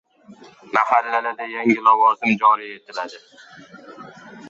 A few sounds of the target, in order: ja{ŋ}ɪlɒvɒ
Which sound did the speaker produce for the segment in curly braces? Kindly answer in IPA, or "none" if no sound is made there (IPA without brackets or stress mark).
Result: ŋ